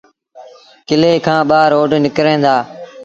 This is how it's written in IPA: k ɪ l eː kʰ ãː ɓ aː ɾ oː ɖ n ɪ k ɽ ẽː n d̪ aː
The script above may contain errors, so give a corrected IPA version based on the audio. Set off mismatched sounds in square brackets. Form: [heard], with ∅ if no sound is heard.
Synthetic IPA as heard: k ɪ l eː kʰ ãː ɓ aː ɾ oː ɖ n ɪ k [ɾ] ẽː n d̪ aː